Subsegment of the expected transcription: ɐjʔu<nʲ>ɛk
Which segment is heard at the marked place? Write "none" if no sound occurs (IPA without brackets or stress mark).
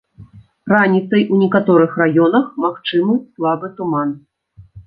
nʲ